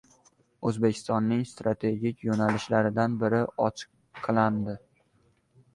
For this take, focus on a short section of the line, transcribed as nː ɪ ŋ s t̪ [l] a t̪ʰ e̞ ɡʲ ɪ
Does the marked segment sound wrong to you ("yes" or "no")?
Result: yes